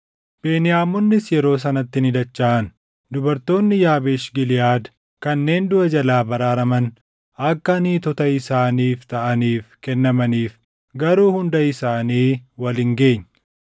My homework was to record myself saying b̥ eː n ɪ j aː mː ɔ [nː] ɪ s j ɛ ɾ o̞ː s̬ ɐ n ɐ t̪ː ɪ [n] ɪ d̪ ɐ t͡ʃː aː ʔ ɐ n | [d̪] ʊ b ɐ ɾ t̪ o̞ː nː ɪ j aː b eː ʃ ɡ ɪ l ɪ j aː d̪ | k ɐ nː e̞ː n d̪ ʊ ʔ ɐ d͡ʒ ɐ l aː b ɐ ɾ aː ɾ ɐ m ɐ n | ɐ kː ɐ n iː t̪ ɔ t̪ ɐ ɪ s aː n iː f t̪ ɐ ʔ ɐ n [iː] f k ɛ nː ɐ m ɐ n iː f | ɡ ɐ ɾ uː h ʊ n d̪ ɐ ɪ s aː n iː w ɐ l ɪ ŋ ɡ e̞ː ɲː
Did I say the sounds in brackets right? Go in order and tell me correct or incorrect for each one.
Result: correct, correct, correct, correct

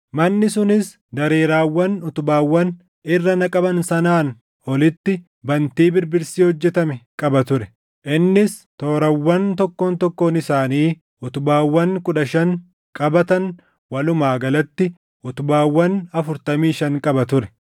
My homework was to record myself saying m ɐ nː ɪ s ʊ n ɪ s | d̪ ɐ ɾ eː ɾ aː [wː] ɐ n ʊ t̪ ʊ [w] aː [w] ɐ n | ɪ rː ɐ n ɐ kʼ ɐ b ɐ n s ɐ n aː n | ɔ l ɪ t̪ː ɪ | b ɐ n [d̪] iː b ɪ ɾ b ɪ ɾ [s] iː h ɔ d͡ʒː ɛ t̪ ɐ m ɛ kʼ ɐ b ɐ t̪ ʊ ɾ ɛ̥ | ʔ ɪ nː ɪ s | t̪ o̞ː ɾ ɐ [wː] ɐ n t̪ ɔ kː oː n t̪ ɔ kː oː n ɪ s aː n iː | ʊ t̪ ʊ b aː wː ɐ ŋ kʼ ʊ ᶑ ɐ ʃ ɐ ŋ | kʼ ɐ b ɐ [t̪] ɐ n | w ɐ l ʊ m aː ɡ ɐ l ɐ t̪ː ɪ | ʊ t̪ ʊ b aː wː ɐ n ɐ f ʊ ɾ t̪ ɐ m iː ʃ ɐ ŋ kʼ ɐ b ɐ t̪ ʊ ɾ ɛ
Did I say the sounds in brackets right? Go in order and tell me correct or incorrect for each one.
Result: correct, incorrect: b, incorrect: wː, incorrect: t̪, correct, correct, correct

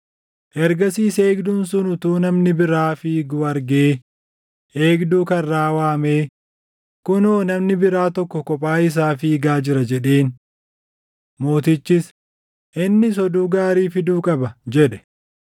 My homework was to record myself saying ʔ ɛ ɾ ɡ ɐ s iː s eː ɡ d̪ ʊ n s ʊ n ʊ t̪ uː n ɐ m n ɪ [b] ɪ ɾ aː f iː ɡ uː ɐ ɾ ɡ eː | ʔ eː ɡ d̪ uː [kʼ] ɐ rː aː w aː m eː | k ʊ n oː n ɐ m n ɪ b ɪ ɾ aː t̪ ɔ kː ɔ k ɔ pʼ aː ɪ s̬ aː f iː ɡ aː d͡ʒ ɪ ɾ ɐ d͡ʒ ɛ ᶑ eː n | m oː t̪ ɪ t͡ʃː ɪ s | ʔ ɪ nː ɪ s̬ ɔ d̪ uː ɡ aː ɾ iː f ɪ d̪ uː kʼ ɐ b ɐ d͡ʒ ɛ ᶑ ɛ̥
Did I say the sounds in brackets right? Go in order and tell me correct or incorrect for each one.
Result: correct, incorrect: k

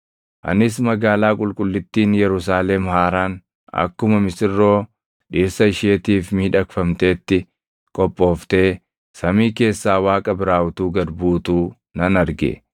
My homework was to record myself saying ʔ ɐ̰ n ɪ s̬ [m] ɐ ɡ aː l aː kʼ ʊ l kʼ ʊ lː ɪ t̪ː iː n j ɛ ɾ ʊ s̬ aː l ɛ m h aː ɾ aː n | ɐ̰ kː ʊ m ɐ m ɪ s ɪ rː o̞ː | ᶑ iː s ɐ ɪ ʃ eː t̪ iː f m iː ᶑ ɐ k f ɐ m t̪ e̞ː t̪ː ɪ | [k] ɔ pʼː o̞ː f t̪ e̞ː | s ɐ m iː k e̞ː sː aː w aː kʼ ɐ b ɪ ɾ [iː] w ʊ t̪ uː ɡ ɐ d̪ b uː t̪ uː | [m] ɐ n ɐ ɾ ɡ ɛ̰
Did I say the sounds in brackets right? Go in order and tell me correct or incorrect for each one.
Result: correct, incorrect: kʼ, incorrect: aː, incorrect: n

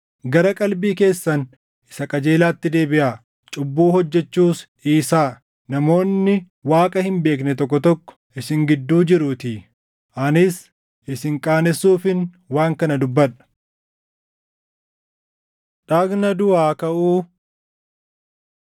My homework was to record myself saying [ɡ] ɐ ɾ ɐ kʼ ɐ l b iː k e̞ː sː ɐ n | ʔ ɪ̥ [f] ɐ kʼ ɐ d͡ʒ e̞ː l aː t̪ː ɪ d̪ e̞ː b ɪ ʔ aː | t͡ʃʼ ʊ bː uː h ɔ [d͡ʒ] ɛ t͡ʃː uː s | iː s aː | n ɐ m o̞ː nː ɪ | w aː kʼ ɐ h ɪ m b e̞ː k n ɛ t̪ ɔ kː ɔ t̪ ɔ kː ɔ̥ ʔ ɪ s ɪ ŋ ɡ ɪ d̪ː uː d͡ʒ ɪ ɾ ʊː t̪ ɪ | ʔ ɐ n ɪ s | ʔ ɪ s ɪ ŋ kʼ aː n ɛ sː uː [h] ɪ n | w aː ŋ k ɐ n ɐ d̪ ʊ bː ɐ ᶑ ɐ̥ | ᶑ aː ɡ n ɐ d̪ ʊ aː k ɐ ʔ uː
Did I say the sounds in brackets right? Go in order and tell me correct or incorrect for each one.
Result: correct, incorrect: s, incorrect: d͡ʒː, incorrect: f

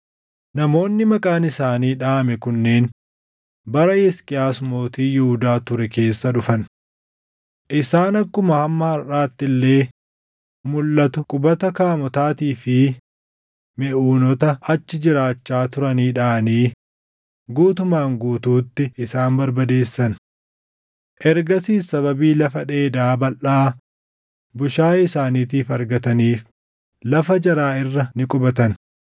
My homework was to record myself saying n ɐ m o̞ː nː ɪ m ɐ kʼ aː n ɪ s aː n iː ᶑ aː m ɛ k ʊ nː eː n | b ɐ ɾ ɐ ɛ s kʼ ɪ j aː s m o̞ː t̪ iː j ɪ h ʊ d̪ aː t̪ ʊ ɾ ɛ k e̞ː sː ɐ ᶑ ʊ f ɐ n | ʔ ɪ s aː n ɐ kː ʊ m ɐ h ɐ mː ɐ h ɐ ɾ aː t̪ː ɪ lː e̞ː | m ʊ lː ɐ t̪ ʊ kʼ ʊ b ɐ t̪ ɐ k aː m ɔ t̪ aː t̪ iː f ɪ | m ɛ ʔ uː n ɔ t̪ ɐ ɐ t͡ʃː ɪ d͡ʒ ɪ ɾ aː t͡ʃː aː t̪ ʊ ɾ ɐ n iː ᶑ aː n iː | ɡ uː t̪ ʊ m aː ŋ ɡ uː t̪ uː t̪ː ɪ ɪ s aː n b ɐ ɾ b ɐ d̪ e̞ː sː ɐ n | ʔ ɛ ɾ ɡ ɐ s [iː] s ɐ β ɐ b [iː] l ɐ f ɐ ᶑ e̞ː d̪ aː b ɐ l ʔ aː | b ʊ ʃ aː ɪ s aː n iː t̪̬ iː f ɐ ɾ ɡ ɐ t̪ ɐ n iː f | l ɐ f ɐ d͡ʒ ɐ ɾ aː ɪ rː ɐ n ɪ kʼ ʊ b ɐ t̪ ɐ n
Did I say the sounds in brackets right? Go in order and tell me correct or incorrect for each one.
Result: correct, correct

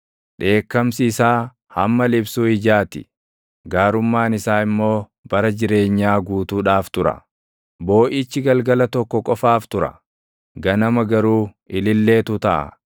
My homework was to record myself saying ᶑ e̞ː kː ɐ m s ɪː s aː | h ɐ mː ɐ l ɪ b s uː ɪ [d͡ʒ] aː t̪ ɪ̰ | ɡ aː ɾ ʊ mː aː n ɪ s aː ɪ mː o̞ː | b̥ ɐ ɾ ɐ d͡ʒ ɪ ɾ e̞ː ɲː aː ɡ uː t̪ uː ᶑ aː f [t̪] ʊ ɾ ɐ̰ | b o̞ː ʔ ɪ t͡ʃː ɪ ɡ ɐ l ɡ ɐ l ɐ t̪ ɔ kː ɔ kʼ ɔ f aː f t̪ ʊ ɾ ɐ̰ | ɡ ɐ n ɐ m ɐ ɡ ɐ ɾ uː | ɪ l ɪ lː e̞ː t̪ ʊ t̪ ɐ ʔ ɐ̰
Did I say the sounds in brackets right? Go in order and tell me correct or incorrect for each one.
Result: correct, correct

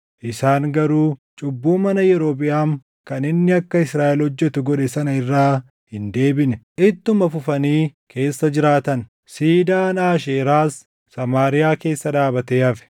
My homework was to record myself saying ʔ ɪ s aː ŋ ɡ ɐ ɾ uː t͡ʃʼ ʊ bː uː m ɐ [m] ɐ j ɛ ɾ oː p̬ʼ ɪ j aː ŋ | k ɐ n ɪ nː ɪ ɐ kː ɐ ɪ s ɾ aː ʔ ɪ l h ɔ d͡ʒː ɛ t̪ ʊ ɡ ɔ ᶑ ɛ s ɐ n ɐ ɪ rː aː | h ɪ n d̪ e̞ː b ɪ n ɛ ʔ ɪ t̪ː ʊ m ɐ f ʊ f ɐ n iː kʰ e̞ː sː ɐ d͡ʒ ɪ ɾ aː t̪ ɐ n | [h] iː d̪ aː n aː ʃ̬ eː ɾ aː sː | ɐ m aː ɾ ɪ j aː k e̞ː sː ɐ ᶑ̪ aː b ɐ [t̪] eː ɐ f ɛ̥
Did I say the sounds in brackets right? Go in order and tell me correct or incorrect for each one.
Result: incorrect: n, incorrect: s, correct

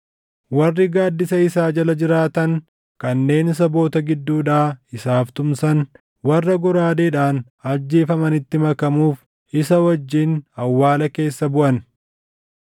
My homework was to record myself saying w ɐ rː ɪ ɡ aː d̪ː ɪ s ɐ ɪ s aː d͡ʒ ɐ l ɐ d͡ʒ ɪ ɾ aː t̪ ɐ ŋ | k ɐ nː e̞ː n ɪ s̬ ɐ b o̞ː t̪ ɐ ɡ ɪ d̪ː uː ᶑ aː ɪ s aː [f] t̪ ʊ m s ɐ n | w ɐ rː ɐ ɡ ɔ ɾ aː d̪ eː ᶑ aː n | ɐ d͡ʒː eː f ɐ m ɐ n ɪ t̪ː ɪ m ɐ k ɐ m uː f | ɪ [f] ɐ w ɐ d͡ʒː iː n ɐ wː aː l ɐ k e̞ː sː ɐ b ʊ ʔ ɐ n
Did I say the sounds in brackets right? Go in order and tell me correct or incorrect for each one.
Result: correct, incorrect: s

